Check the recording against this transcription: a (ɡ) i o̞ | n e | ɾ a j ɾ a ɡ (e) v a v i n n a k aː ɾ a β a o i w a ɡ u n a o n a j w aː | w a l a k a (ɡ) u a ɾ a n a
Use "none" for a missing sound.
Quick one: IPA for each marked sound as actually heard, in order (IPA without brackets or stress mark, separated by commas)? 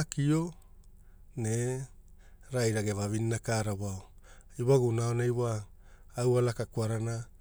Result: k, e, k